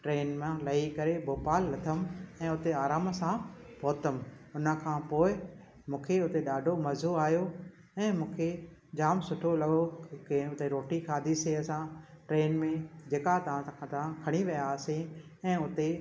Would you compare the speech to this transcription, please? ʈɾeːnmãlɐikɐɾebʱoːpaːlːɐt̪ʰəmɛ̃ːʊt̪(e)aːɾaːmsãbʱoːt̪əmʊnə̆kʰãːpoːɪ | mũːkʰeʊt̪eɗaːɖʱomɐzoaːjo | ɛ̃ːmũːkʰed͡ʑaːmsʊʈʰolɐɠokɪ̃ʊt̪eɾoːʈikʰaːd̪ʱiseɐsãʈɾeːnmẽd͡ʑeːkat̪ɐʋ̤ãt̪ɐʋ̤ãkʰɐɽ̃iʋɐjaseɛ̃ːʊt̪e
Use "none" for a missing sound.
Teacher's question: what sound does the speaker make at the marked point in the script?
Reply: e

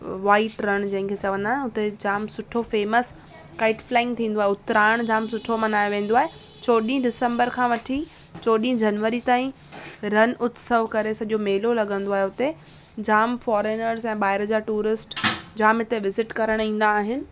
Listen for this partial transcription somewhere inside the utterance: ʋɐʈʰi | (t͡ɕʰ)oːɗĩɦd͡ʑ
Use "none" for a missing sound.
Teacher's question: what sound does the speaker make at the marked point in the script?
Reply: t͡ɕ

